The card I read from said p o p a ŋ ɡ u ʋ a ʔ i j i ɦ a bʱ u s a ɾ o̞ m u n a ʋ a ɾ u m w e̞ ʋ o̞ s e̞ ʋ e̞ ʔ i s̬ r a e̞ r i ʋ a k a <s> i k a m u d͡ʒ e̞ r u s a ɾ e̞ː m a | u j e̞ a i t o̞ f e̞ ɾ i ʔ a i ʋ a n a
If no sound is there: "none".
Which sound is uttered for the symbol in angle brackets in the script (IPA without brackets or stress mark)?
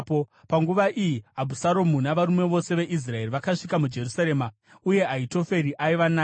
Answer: ʂ